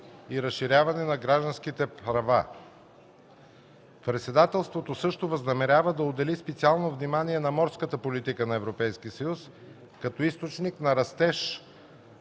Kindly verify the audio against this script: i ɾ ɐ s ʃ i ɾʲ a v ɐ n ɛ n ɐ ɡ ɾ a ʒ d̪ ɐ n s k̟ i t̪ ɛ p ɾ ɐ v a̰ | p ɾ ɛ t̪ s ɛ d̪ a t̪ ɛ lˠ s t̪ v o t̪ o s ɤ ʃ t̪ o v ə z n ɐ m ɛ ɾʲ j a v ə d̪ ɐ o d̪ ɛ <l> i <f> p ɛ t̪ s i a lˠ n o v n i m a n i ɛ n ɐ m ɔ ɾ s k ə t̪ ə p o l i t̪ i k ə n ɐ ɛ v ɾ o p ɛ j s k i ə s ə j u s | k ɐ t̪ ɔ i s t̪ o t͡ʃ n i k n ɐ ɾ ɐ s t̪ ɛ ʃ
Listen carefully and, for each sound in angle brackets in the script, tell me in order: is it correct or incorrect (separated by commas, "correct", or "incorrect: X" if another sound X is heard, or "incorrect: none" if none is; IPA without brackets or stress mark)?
correct, incorrect: s